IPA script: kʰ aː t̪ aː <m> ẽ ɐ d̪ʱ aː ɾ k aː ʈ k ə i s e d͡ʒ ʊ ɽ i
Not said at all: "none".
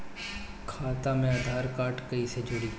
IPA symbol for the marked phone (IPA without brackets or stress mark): m